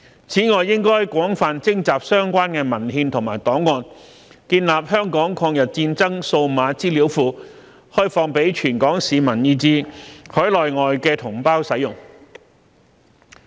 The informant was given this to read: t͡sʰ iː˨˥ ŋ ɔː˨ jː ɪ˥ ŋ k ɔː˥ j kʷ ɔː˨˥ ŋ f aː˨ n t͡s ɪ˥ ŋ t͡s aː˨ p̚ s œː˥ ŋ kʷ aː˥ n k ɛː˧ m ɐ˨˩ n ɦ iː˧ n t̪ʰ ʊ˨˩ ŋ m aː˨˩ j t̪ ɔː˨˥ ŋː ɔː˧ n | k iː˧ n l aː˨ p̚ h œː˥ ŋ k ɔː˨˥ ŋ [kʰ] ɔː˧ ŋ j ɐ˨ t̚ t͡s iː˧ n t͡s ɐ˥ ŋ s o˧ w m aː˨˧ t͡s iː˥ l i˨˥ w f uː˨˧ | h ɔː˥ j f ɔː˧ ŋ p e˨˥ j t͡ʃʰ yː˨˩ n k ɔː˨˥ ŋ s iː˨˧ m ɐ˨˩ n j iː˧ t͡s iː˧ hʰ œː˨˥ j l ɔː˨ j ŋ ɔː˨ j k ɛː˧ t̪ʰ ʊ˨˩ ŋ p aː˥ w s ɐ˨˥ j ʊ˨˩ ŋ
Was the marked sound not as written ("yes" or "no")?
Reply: no